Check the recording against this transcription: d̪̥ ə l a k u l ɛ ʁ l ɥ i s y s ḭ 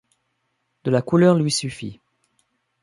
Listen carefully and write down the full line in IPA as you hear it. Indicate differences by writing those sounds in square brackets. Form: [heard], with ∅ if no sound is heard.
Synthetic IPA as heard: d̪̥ ə l a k u l [œ] ʁ l ɥ i s y [f] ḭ